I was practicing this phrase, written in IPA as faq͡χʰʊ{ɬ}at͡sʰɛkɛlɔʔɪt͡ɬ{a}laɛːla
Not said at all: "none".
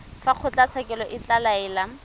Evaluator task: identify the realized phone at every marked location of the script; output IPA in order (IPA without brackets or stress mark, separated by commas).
t͡ɬ, a